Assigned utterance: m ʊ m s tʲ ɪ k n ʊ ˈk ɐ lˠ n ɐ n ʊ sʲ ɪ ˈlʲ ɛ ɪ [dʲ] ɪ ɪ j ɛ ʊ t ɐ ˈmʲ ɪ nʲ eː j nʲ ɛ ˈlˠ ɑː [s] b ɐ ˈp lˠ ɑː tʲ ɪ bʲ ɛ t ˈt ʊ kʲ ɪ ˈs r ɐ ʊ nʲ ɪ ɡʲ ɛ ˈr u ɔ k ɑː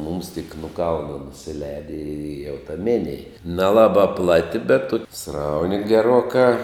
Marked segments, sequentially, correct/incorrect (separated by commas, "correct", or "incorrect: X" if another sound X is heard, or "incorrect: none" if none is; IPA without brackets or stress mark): correct, incorrect: none